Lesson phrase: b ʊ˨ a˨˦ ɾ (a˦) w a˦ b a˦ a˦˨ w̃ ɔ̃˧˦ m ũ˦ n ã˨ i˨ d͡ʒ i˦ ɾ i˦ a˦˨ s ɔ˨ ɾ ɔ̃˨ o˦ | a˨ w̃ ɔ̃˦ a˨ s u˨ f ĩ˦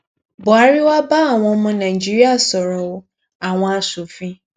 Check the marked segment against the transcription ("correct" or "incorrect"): incorrect